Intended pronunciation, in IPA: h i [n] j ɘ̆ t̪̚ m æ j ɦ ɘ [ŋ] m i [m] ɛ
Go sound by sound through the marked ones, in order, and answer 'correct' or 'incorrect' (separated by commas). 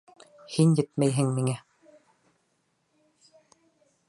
correct, correct, incorrect